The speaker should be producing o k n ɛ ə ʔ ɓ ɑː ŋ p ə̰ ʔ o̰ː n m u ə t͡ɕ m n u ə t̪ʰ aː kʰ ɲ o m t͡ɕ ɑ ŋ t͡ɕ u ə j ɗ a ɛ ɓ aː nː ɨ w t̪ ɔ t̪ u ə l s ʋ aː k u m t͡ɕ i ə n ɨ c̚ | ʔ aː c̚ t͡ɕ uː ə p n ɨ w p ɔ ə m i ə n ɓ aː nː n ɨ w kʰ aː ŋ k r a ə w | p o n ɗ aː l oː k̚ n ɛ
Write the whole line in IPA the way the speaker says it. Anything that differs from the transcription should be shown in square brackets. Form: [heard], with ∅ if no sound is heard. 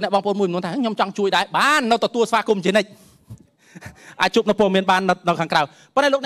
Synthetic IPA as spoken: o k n ɛ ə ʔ ɓ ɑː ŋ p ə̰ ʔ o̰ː n m u ə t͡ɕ m n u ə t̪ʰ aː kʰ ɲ o m t͡ɕ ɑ ŋ t͡ɕ u ə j ɗ a ɛ ɓ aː nː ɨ w t̪ ɔ t̪ u ə l s ʋ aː k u m t͡ɕ i ə n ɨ c̚ | ʔ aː c̚ t͡ɕ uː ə p n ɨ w p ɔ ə m i ə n ɓ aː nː n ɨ w kʰ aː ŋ k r a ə w | p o n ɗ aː l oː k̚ n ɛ

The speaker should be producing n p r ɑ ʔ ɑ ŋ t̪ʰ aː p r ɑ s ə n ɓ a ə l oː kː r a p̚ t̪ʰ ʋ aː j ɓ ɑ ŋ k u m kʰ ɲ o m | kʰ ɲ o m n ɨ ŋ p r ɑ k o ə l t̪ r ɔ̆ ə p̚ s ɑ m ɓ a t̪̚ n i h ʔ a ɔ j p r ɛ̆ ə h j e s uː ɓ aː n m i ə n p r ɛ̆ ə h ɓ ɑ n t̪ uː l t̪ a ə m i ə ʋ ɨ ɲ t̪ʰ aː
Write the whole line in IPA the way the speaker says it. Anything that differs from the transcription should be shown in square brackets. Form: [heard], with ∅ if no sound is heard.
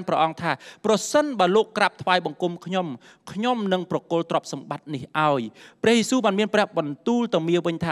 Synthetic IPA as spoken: n p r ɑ ʔ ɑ ŋ t̪ʰ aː p r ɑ s ə n ɓ a ə l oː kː r a p̚ t̪ʰ ʋ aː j ɓ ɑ ŋ k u m kʰ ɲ o m | kʰ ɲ o m n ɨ ŋ p r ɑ k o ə l t̪ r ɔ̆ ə p̚ s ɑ m ɓ a t̪̚ n i h ʔ a ɔ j p r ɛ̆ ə h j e s uː ɓ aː n m i ə n p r ɛ̆ ə h ɓ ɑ n t̪ uː l t̪ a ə m i ə ʋ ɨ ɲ t̪ʰ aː

